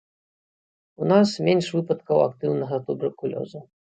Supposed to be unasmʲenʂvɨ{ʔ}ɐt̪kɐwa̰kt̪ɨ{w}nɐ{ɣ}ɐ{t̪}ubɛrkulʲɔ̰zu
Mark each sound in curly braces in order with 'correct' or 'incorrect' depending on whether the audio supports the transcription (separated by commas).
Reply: incorrect, correct, correct, correct